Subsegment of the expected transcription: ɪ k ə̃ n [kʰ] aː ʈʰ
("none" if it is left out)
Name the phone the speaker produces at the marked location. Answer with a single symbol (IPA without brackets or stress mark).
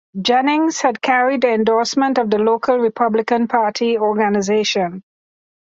pʰ